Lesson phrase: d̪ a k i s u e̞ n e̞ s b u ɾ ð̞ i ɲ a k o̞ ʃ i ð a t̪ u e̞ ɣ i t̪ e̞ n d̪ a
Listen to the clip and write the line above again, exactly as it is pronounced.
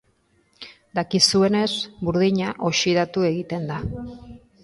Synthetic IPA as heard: d̪ a k i s u e̞ n e̞ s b u ɾ ð̞ i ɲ a ʔ o̞ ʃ i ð a t̪ u e̞ ɣ i t̪ e̞ n d̪ a

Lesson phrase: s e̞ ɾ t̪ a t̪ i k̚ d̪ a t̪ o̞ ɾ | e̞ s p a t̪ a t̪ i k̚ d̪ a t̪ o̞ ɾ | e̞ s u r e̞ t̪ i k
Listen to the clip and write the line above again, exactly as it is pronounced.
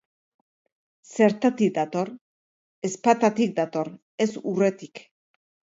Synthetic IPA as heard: s e̞ ɾ t̪ a t̪ i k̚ d̪ a t̪ o̞ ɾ | e̞ s p a t̪ a t̪ i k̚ d̪ a t̪ o̞ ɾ | e̞ s u r e̞ t̪ i k

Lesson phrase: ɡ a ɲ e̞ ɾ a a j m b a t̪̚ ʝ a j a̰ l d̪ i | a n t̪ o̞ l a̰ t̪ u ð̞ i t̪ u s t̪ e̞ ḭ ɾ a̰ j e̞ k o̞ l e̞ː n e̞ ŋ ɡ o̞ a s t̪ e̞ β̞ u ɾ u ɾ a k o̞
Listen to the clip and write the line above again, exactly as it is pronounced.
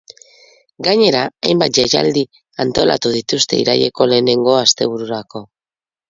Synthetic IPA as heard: ɡ a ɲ e̞ ɾ a a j m b a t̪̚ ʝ a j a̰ l d̪ i | a n t̪ o̞ l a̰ t̪ u ð̞ i t̪ u s t̪ e̞ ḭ ɾ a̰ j e̞ k o̞ l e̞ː n e̞ ŋ ɡ o̞ a s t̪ e̞ β̞ u ɾ u ɾ a k o̞

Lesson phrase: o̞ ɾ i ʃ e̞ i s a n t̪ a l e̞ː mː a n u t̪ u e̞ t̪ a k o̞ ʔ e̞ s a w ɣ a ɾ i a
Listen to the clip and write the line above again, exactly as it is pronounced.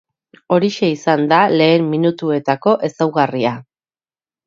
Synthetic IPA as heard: o̞ ɾ i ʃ e̞ i s a n d̪ a l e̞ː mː i n u t̪ u e̞ t̪ a k o̞ ʔ e̞ s a w ɣ a r i a

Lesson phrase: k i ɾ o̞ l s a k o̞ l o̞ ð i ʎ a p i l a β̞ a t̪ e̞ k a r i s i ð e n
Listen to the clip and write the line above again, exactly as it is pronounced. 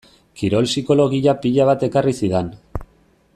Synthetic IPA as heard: k i ɾ o̞ l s i k o̞ l o̞ ɣ i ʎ a p i ʎ a β̞ a t̪ e̞ k a r i s i ð e n

